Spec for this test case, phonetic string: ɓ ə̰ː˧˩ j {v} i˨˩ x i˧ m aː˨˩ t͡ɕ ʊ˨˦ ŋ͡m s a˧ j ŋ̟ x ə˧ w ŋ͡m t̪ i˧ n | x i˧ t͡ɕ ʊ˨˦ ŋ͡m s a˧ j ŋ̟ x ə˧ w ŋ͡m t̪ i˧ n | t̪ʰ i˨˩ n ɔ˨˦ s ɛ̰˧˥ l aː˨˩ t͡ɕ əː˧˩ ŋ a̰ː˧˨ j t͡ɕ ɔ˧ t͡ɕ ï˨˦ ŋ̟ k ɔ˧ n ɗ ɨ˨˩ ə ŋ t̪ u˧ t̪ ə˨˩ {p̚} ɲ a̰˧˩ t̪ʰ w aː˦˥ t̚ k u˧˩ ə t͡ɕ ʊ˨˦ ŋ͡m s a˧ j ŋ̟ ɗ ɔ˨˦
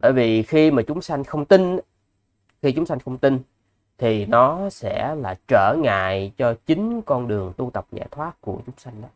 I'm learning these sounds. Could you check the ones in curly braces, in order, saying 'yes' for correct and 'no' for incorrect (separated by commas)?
yes, yes